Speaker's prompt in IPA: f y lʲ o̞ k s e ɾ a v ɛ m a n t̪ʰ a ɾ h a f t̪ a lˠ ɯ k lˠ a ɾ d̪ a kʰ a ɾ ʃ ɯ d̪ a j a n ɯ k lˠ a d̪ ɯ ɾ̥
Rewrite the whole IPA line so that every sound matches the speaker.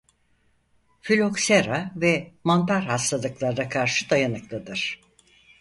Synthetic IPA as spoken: f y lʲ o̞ k s e ɾ a v ɛ m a n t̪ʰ a ɾ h a s t̪ a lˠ ɯ k lˠ a ɾ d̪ a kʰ a ɾ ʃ ɯ d̪ a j a n ɯ k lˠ a d̪ ɯ ɾ̥